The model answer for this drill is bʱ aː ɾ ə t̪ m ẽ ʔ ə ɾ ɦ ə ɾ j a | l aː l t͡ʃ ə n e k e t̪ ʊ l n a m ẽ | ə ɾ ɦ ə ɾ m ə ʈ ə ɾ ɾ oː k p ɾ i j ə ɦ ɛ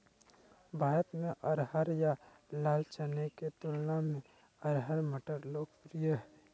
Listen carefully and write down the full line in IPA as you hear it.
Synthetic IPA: bʱ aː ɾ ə t̪ m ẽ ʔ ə ɾ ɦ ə ɾ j a | l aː l t͡ʃ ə n e k e t̪ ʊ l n a m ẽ | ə ɾ ɦ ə ɾ m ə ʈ ə ɾ l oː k p ɾ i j ə ɦ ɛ